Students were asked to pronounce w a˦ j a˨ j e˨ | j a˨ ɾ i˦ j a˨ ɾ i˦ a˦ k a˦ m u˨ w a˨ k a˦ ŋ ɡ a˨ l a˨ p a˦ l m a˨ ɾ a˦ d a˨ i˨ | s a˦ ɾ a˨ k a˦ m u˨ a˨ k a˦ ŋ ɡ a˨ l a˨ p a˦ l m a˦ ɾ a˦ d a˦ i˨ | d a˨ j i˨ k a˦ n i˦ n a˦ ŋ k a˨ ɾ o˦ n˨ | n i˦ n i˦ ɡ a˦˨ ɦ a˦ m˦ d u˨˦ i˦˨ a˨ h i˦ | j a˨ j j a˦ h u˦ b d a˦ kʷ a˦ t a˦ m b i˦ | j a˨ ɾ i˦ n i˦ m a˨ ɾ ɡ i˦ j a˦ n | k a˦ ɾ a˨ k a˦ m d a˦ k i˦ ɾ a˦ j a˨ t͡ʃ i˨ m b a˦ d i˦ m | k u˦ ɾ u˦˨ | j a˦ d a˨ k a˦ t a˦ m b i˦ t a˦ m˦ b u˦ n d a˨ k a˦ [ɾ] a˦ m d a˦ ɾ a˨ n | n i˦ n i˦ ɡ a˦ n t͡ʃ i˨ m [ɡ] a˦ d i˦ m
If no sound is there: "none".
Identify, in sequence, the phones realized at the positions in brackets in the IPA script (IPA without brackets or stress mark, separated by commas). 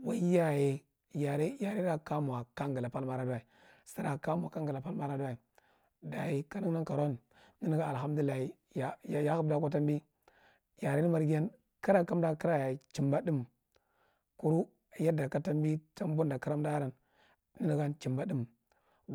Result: ɾ, b